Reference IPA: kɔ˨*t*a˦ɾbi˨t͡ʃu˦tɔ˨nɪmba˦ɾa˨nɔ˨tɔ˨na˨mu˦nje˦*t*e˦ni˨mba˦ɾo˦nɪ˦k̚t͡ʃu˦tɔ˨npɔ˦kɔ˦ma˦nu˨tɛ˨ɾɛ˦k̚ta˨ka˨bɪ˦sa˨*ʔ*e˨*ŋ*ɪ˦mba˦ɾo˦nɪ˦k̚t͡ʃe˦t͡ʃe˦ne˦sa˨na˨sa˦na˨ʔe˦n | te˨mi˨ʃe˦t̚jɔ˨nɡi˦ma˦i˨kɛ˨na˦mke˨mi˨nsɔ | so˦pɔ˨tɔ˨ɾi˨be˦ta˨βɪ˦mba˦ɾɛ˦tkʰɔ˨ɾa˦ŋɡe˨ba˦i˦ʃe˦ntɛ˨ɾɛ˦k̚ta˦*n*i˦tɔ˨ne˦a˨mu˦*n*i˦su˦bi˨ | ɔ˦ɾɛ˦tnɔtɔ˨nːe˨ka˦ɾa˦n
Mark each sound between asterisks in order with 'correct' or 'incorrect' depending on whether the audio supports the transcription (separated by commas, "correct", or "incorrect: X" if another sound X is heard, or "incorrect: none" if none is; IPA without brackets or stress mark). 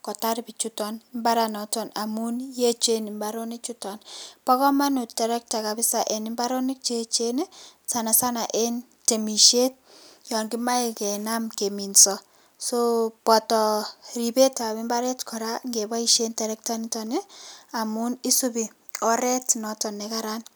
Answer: correct, incorrect: t͡ʃ, correct, incorrect: n, correct, correct